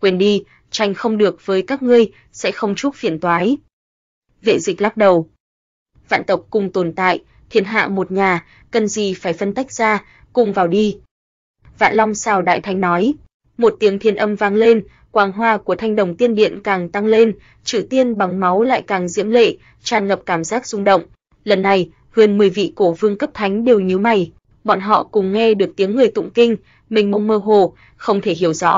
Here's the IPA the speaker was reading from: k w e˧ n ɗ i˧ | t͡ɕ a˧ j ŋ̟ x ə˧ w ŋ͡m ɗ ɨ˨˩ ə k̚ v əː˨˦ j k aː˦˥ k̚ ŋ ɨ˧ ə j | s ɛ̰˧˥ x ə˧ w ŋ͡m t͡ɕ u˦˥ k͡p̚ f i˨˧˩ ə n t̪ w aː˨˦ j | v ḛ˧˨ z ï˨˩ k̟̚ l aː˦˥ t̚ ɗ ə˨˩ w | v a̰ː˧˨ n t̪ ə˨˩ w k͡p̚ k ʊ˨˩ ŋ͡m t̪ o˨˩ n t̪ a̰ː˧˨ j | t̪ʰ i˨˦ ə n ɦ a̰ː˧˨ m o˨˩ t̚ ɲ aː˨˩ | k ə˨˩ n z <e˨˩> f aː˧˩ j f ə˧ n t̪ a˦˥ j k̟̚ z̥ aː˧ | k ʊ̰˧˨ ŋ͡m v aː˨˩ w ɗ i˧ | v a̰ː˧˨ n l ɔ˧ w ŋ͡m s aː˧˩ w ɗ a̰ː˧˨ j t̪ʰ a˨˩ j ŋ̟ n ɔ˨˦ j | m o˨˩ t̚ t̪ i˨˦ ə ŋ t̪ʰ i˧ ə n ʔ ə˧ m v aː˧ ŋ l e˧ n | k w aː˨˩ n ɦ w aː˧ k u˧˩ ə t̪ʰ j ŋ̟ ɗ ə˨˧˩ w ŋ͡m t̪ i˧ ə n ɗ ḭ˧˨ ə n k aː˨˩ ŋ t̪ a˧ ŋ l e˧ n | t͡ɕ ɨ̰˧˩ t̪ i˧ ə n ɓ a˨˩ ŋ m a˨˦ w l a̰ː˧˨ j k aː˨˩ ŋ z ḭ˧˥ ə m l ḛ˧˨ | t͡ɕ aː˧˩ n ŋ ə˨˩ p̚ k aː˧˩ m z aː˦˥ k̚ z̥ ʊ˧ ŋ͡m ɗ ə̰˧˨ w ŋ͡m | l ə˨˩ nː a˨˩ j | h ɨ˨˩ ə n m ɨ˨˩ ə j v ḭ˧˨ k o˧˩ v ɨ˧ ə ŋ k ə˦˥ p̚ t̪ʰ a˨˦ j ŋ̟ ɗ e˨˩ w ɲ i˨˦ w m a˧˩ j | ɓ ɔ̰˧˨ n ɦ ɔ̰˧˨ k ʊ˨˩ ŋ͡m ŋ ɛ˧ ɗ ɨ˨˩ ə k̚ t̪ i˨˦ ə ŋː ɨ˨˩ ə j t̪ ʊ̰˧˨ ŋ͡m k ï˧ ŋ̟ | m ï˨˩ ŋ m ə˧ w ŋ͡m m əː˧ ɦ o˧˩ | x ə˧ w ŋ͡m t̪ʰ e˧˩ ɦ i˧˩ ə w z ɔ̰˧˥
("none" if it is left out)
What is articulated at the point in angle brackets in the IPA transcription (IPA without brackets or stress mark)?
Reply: i˨˩